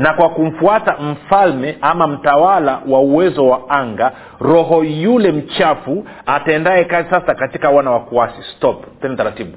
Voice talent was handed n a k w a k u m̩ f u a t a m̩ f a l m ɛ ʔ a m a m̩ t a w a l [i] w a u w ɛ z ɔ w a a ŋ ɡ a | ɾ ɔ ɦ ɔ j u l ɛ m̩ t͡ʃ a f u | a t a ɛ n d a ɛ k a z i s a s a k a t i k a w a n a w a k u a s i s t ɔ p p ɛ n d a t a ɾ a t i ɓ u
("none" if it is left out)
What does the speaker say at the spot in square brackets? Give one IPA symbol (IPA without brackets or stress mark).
a